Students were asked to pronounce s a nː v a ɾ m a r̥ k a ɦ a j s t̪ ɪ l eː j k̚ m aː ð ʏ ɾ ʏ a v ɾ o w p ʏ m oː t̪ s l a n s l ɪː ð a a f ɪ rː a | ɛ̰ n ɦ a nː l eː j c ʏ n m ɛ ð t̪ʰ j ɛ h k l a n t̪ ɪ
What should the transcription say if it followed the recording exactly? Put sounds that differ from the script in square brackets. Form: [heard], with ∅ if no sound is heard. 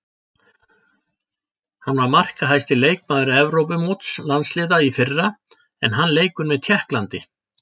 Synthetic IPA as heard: [h] a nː v a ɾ m a r̥ k a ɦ a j s t̪ ɪ l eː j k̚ m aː ð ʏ ɾ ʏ [ɛ] v ɾ o w p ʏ m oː t̪ s l a n s l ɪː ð a [i] f ɪ rː a | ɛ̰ n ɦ a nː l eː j [k] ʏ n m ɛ ð t̪ʰ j ɛ h k l a n t̪ ɪ

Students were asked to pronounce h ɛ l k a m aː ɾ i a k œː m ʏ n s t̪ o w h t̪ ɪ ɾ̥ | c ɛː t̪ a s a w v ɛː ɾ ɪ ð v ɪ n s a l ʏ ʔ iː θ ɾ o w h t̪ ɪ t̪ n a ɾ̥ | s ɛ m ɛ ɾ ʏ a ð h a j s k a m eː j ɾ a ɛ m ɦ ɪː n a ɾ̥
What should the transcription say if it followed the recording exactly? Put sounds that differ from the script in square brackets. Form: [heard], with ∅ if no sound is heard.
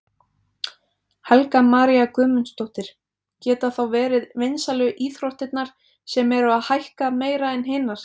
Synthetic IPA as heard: h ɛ l k a m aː ɾ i a k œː m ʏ n s t̪ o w h t̪ ɪ ɾ̥ | c ɛː t̪ a [θ] a w v ɛː ɾ ɪ ð v ɪ n s a l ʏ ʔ iː θ ɾ o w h t̪ ɪ t̪ n a ɾ̥ | s ɛ m ɛ ɾ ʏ a ð h a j [h] k a m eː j ɾ a ɛ [n] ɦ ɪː n a ɾ̥

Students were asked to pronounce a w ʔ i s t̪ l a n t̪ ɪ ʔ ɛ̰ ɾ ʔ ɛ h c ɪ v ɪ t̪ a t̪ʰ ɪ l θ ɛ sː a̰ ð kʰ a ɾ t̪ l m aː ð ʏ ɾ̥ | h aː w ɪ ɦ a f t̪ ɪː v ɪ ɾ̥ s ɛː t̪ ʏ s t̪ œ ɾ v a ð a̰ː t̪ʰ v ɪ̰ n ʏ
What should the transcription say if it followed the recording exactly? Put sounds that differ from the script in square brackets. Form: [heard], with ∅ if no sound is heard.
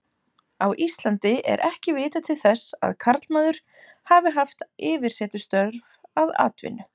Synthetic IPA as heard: a w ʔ i s t̪ l a n t̪ ɪ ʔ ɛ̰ ɾ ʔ ɛ h c ɪ v [ɪː] t̪ a t̪ʰ ɪ l θ ɛ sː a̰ ð kʰ a ɾ t̪ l m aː ð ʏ ɾ̥ | h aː [v] ɪ ɦ a f t̪ ɪː v ɪ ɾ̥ s ɛː t̪ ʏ s t̪ œ ɾ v a ð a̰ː [t̪] v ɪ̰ n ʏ

